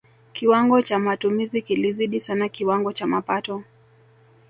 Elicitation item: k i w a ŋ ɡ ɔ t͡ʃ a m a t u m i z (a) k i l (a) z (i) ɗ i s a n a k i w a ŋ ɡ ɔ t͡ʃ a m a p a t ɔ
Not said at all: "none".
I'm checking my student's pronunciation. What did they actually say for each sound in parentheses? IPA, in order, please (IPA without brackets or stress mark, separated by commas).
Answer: i, i, i